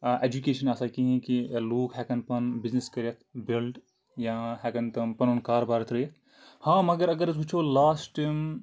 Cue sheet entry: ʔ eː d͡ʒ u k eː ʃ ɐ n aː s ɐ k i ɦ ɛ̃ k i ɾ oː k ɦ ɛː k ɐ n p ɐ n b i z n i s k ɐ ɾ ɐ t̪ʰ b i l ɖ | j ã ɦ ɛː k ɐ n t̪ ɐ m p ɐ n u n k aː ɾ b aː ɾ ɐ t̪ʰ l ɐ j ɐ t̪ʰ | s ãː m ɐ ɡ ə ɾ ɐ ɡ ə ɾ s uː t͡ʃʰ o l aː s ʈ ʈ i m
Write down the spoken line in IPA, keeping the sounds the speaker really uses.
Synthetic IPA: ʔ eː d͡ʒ u k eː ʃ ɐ n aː s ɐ k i ɦ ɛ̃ k i l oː k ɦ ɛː k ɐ n p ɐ n b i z n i s k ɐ ɾ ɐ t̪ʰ b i l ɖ | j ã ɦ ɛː k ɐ n t̪ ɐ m p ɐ n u n k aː ɾ b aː ɾ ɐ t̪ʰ ɾ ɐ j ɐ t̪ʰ | h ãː m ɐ ɡ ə ɾ ɐ ɡ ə ɾ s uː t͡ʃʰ o l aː s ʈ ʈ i m